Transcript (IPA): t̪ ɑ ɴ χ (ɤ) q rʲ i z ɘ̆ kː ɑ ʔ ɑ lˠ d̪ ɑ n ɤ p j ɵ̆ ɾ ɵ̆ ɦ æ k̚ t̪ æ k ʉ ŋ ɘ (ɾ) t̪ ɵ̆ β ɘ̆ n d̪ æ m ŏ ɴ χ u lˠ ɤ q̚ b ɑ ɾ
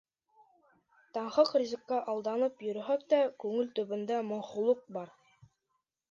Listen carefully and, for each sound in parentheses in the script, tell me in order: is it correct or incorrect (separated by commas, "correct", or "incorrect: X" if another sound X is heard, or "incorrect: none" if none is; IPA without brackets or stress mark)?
correct, incorrect: l